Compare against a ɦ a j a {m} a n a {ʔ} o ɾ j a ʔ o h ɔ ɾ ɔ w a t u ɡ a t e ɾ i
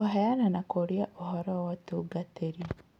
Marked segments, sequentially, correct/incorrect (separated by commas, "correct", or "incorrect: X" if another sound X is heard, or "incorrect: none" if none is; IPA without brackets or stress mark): incorrect: n, incorrect: k